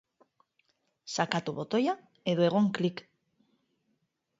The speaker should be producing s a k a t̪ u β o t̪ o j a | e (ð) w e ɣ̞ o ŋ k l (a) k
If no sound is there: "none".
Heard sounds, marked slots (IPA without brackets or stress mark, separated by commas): ð, i